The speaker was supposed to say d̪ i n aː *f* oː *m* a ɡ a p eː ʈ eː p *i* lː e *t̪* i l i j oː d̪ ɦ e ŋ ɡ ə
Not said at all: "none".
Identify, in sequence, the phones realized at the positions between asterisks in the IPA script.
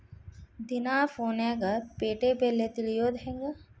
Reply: f, n, e, t̪

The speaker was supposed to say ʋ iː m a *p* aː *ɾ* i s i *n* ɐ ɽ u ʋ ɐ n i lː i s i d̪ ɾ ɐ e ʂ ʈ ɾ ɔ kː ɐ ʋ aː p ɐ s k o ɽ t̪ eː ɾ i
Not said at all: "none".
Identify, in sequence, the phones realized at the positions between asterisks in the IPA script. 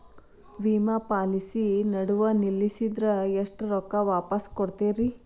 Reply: p, l, n

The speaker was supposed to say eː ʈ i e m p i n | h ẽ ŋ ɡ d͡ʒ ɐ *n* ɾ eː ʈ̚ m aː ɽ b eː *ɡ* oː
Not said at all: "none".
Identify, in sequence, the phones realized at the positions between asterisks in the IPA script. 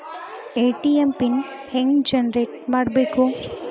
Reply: n, k

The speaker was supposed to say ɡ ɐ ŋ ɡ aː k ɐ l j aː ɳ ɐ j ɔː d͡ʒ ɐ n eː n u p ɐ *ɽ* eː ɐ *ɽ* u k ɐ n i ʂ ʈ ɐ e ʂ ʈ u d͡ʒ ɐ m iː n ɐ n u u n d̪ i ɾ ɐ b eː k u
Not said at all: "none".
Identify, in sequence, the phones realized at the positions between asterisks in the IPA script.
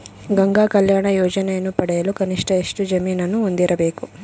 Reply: ɽ, l

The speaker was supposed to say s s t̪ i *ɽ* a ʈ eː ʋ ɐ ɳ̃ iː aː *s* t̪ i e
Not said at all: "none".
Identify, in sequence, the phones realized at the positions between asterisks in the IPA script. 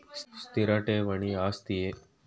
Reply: ɾ, s

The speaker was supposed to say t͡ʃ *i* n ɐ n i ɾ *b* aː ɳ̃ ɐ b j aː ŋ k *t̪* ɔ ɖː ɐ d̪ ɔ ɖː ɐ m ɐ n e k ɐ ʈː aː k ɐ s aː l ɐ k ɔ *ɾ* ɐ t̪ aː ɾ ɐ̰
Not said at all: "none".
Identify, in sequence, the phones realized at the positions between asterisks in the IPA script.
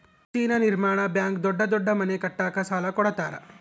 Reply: iː, m, d̪, ɽ

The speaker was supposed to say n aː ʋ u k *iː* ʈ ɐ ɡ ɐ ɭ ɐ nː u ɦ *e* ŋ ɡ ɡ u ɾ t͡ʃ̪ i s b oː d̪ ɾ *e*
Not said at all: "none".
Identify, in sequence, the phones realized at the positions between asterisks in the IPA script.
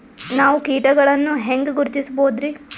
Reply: iː, e, i

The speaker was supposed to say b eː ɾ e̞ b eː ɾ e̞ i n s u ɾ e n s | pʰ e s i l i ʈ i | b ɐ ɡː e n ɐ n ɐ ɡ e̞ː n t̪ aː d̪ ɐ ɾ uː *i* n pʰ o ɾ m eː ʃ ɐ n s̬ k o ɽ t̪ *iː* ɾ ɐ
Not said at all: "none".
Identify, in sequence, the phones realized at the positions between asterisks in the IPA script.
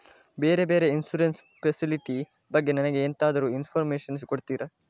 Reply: i, iː

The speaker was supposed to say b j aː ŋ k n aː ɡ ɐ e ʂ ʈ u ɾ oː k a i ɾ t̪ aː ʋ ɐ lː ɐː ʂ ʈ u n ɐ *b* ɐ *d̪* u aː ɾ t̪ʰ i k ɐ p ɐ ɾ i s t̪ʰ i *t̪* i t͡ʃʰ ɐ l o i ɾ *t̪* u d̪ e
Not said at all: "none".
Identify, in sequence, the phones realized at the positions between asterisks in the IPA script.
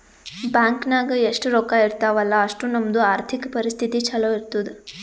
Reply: m, d̪, t̪, t̪

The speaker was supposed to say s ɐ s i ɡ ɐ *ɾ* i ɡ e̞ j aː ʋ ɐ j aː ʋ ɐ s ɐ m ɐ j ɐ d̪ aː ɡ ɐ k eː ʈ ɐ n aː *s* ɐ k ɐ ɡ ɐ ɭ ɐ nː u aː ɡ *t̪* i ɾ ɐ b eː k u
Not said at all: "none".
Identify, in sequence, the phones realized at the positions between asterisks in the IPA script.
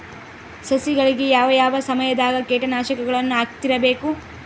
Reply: ɭ, ʃ, t̪

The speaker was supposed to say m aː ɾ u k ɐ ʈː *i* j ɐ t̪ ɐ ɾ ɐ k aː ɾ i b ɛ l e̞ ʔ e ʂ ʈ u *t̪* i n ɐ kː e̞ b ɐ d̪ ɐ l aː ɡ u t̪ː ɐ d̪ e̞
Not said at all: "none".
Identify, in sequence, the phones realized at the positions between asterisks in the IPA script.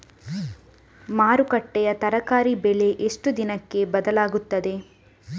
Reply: ɛ, d̪

